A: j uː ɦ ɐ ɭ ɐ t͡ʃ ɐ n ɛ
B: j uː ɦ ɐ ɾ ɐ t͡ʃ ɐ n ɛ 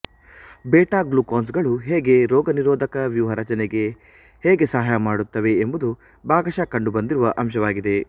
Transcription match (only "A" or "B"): B